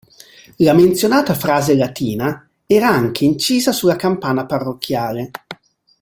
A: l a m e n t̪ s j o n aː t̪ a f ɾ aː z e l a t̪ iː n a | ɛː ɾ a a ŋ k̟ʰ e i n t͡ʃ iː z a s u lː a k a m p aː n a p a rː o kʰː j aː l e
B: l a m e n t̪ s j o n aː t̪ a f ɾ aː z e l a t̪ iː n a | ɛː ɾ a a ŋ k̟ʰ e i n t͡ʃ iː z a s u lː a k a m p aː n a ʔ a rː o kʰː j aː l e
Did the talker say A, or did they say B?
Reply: A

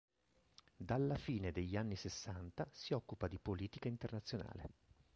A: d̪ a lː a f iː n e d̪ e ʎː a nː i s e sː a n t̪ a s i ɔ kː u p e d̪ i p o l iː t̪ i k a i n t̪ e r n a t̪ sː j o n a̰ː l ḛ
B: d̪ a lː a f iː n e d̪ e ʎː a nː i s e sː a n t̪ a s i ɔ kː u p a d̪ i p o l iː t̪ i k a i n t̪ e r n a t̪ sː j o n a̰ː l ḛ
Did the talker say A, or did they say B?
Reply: B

